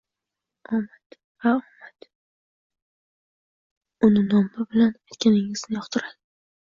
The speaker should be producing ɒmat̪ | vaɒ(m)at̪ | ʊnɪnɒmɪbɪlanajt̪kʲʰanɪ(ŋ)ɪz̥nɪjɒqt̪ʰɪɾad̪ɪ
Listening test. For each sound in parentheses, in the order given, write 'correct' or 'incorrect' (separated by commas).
correct, correct